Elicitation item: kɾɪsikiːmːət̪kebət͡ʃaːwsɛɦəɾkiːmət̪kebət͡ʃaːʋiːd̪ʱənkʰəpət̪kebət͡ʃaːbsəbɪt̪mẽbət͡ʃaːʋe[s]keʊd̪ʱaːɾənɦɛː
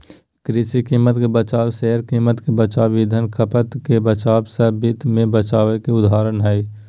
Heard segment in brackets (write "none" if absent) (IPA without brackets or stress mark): none